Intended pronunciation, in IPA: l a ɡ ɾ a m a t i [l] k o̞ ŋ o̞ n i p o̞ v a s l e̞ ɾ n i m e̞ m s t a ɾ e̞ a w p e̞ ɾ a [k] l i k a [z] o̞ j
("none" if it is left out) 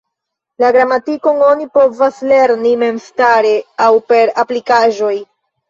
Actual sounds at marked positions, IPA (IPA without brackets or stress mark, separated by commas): none, p, ʒ